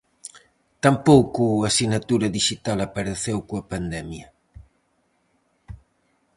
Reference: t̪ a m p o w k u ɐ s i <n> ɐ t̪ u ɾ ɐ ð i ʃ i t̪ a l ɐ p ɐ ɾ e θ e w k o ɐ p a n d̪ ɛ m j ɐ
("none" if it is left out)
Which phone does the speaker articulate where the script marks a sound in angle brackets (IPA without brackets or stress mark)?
n